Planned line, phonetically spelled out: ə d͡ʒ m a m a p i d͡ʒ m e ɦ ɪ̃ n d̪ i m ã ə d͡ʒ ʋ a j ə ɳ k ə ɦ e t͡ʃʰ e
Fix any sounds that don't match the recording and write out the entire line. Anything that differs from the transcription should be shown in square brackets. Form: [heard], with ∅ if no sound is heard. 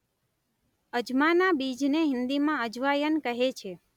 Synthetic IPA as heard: ə d͡ʒ m a [n] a [b] i d͡ʒ [n] e ɦ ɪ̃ n d̪ i m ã ə d͡ʒ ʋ a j ə [n] k ə ɦ e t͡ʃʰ e